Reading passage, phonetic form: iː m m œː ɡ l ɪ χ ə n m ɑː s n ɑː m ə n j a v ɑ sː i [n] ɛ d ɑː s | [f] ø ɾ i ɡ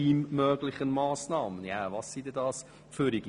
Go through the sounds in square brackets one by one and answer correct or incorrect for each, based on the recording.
incorrect, correct

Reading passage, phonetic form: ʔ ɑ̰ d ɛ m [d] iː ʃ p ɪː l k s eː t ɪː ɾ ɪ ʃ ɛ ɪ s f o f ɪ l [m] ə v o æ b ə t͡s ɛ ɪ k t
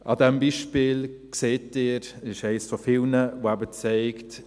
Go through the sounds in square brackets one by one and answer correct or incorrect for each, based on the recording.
incorrect, incorrect

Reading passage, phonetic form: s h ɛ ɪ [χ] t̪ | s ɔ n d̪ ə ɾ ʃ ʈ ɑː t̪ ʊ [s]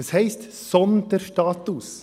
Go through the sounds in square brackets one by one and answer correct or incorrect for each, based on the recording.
incorrect, correct

